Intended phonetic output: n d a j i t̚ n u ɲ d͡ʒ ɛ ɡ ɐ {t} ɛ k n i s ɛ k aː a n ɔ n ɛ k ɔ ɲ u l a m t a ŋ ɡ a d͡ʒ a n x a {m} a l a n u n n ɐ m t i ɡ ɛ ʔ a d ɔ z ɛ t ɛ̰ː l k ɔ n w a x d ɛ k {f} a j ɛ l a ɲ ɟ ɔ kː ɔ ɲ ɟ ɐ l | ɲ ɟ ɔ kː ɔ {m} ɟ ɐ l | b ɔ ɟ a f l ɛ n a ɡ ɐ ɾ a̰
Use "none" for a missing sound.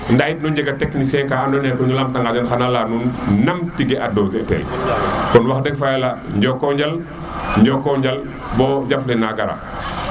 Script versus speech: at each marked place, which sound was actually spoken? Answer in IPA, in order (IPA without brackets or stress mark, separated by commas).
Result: t, n, f, ɲ